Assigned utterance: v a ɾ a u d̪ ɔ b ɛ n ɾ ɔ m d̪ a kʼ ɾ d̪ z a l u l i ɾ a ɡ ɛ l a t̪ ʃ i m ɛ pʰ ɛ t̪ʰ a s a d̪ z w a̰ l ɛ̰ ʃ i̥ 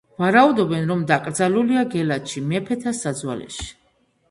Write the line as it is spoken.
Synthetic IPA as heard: v a ɾ a u d̪ ɔ b ɛ n ɾ ɔ m d̪ a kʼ ɾ d̪ z a l u l i a ɡ ɛ l a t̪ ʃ i m ɛ pʰ ɛ t̪ʰ a s a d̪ z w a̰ l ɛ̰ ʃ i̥